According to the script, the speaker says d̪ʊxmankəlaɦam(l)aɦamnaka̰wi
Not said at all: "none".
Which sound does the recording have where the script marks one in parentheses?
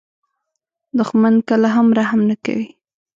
ɾ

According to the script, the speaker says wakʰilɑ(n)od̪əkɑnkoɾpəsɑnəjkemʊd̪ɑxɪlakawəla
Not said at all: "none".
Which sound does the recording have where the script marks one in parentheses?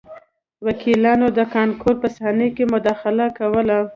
n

